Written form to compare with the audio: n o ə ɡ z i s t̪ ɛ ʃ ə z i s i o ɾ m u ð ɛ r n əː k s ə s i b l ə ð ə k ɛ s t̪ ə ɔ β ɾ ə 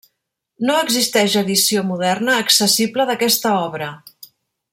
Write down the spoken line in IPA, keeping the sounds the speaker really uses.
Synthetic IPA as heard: n o ə ɡ z i s t̪ ɛ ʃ ə ð i s i o m u ð ɛ r n əː k s ə s i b l ə ð ə k ɛ s t̪ ə ɔ β ɾ ə